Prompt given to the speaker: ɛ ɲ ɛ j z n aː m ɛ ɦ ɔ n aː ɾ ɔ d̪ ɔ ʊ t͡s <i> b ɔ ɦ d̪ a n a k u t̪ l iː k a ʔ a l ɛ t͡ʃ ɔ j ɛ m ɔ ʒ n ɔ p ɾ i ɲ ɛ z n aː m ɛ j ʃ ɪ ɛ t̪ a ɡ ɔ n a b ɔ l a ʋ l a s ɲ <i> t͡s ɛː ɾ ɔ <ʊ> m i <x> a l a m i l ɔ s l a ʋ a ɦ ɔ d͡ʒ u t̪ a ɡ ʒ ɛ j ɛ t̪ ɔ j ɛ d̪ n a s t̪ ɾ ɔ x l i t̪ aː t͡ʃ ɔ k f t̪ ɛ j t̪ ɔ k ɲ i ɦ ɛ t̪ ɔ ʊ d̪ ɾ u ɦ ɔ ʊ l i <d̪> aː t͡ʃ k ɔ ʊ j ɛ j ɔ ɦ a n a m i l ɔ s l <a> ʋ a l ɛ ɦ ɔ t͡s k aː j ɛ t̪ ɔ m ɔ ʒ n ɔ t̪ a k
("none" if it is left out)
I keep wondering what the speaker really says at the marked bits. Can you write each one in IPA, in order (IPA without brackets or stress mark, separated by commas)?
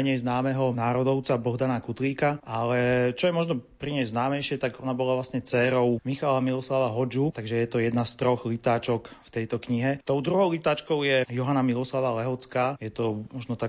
a, ɛ, ʊ, x, t̪, a